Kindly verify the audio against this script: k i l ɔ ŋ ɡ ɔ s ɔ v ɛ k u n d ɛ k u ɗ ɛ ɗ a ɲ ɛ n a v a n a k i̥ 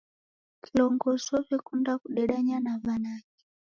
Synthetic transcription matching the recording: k i l ɔ ŋ ɡ ɔ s ɔ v ɛ k u n d a k u ɗ ɛ ɗ a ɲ a n a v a n a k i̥